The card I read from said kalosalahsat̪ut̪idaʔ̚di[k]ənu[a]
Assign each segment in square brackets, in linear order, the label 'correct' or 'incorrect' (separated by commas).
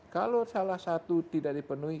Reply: incorrect, incorrect